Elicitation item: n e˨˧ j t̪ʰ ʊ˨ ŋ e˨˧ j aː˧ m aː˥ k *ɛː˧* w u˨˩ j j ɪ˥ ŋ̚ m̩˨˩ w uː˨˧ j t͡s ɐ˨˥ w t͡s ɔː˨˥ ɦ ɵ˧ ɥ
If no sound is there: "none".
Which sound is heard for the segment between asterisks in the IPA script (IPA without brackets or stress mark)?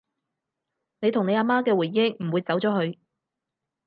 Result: ɛː˧